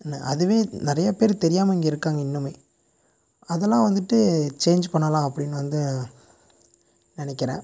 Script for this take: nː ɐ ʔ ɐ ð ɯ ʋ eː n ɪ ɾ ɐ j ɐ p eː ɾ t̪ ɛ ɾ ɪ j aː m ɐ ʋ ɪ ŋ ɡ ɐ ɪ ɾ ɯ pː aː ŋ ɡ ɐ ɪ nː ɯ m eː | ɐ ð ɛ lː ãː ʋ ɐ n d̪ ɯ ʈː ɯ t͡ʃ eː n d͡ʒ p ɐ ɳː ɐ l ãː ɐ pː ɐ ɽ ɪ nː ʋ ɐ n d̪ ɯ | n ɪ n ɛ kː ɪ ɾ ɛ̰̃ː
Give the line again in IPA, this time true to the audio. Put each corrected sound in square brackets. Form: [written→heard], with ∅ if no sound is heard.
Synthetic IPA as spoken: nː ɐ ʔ ɐ ð ɯ ʋ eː n ɪ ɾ ɐ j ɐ p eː ɾ t̪ ɛ ɾ ɪ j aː m ɐ [ʋ→∅] ɪ ŋ ɡ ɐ ɪ ɾ ɯ [pː→kː] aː ŋ ɡ ɐ ɪ nː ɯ m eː | ɐ ð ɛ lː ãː ʋ ɐ n d̪ ɯ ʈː ɯ t͡ʃ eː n d͡ʒ p ɐ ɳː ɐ l ãː ɐ pː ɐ ɽ ɪ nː ʋ ɐ n d̪ ɯ | n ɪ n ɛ kː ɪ ɾ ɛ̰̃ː